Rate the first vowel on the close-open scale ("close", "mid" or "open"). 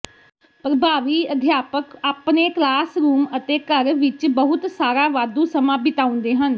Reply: mid